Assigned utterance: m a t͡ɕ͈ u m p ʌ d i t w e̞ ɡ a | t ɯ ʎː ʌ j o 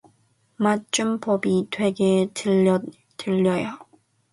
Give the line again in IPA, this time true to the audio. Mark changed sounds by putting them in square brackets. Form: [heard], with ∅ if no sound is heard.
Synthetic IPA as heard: m a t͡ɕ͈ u m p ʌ [b] i t w e̞ ɡ [e] | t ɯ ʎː ʌ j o